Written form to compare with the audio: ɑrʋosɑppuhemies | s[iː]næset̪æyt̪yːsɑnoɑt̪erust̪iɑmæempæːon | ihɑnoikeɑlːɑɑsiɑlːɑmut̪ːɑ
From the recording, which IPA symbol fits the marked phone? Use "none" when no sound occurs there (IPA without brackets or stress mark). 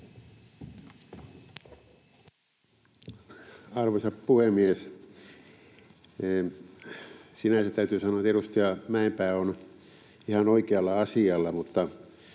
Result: i